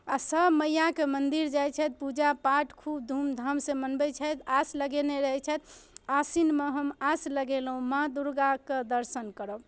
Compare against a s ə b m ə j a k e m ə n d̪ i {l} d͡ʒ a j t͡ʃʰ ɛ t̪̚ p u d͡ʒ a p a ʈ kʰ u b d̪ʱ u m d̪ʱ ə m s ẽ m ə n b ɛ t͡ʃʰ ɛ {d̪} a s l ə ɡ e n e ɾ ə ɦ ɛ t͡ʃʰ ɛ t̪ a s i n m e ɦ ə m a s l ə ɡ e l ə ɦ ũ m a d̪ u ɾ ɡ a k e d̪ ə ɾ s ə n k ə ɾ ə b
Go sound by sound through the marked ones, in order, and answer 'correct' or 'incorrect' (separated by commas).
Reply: incorrect, incorrect